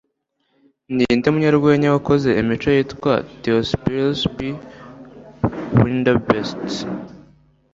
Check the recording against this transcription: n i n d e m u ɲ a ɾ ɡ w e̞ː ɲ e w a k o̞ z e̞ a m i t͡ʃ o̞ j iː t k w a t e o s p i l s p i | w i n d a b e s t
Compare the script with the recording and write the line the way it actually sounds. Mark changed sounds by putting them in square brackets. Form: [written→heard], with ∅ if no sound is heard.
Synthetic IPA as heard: n i n d e m u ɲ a ɾ ɡ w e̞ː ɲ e w a k o̞ z e̞ [a→i] m i t͡ʃ o̞ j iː t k w a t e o s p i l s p i | w i n d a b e s t